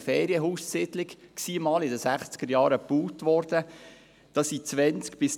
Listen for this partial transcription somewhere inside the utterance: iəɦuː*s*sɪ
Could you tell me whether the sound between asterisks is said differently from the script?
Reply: no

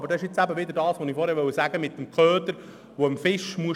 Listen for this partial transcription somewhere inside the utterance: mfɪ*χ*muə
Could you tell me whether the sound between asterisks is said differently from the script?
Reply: yes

